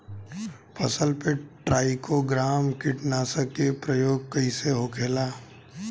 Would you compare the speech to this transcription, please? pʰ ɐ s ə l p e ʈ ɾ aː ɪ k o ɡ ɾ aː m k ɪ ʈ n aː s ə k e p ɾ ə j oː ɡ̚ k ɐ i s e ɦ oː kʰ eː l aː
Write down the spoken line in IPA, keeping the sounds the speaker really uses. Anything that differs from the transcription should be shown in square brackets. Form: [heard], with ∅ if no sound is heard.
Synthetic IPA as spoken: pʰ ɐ s ə l p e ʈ ɾ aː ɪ k o ɡ ɾ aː m k ɪ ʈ n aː s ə k e p ɾ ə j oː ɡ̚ k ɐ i s e ɦ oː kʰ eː l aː